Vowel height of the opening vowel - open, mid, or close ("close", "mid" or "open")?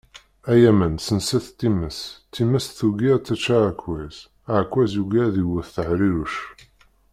open